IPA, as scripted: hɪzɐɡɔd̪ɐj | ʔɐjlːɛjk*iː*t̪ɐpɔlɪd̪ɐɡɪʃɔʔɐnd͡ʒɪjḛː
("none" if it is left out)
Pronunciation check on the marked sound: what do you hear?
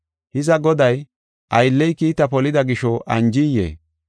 iː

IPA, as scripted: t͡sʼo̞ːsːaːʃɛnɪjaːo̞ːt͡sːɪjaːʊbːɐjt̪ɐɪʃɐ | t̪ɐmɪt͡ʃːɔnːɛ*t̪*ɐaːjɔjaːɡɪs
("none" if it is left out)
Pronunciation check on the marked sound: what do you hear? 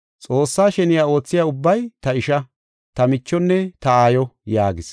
t̪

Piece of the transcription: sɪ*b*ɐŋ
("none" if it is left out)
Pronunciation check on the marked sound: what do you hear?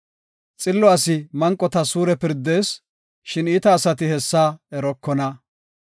m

